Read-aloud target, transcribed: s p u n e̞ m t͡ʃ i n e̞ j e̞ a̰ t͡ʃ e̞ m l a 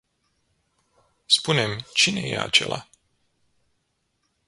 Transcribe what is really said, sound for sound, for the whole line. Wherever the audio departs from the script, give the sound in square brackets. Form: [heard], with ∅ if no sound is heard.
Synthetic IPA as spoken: s p u n e̞ m t͡ʃ i n e̞ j e̞ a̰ t͡ʃ e̞ [∅] l a